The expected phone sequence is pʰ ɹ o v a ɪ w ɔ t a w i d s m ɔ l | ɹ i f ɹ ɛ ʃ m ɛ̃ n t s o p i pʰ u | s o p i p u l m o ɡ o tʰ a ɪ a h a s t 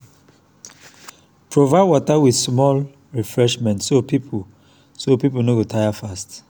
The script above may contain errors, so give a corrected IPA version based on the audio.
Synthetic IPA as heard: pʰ ɹ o v a ɪ w ɔ t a w i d s m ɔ l | ɹ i f ɹ ɛ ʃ m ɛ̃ n t s o p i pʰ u | s o p i p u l n o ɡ o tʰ a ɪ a f a s t